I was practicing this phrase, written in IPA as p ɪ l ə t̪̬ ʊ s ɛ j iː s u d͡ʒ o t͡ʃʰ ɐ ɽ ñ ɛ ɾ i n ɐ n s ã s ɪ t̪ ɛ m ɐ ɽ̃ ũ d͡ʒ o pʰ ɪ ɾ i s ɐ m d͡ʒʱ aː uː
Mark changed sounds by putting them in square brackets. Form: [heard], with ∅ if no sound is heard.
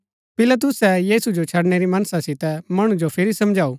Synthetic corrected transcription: p ɪ l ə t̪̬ ʊ s ɛ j iː s u d͡ʒ o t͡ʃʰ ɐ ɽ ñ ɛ ɾ i [m] ɐ n s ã s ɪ t̪ ɛ m ɐ ɽ̃ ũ d͡ʒ o pʰ ɪ ɾ i s ɐ m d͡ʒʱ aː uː